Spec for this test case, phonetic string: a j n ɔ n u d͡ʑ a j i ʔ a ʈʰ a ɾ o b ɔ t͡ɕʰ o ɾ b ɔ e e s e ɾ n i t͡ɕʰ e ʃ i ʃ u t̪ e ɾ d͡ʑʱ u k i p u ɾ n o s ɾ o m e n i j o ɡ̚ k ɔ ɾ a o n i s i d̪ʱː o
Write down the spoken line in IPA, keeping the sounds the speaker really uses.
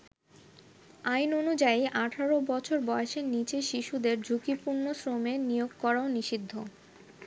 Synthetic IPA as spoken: a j n o n u d͡ʑ a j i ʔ a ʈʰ a ɾ o b ɔ t͡ɕʰ o ɾ b ɔ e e ʃ e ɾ n i t͡ɕ e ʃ i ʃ u d̪ e ɾ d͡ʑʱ u k i p u ɾ n o s ɾ o m e n i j o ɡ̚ k ɔ ɾ a o n i ʃ i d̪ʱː o